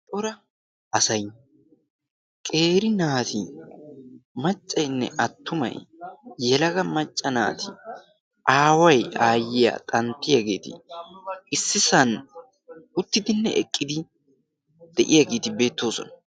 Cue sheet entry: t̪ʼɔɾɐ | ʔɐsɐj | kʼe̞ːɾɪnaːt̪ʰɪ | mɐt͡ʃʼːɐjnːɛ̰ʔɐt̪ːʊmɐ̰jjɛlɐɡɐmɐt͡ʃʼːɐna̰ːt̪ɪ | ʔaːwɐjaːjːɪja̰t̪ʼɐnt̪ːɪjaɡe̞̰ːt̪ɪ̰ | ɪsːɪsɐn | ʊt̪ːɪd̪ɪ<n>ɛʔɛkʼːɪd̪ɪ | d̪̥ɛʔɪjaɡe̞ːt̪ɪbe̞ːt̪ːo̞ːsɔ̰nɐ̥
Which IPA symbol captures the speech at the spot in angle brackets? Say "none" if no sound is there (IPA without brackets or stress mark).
nː